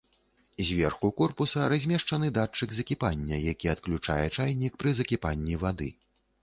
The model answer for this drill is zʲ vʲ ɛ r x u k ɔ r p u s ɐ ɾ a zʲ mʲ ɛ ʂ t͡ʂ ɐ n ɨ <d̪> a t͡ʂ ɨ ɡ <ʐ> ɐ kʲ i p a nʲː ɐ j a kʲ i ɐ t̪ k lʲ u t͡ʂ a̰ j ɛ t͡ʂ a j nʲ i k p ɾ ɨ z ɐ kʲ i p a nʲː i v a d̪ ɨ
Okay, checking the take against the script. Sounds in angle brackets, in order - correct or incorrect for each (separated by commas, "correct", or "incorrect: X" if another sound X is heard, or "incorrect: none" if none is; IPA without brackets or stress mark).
correct, incorrect: z